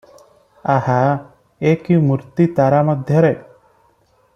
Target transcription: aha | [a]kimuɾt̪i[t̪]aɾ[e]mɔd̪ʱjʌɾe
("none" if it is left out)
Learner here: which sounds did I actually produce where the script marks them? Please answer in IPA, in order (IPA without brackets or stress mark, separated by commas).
e, t̪, a